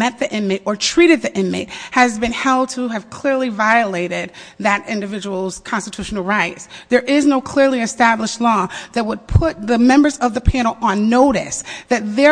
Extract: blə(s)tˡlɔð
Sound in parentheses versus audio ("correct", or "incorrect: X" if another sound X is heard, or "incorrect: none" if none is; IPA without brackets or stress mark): incorrect: ʃ